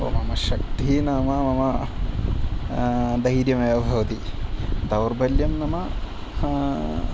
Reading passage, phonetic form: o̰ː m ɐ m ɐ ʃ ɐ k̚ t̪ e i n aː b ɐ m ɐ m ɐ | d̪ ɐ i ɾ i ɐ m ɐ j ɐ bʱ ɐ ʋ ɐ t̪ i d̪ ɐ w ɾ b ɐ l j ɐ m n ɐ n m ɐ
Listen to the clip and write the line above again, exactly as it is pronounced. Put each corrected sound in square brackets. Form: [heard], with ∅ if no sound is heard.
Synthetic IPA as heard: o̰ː m ɐ m ɐ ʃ ɐ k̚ t̪ [i] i n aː [m] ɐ m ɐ m ɐ | d̪ ɐ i ɾ [j] ɐ m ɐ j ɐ bʱ ɐ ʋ ɐ t̪ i d̪ ɐ w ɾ b ɐ l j ɐ m n ɐ [∅] m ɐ